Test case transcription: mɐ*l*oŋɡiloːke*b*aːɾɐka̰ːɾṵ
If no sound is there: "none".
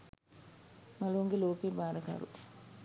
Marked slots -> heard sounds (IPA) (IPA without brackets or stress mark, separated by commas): l, b